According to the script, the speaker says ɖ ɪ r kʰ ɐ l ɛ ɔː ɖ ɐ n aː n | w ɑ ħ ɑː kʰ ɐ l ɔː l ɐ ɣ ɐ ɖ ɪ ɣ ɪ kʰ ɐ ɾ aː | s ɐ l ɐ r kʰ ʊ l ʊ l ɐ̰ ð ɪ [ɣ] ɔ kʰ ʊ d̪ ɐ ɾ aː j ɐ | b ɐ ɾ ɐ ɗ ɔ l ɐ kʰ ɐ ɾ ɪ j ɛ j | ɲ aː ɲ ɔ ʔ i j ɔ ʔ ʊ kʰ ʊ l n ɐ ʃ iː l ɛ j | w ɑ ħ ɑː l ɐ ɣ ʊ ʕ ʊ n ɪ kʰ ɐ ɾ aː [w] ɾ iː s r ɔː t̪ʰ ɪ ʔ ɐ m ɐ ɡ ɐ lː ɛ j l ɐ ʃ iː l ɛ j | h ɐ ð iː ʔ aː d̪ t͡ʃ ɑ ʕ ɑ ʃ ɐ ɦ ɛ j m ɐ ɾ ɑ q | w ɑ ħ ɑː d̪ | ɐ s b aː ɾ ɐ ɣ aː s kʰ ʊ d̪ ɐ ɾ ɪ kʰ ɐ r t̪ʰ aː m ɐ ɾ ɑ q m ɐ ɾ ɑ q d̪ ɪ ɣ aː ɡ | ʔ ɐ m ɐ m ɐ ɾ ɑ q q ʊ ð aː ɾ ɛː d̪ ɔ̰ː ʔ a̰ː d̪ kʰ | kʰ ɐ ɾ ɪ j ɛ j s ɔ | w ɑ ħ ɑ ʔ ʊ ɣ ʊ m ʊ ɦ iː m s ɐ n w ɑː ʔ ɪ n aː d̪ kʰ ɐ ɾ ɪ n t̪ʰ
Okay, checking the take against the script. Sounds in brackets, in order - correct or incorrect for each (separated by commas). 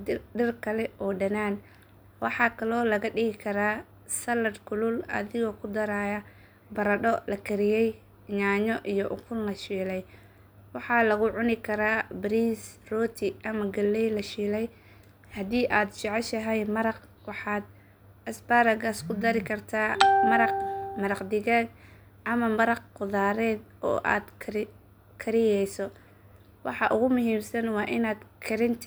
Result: correct, incorrect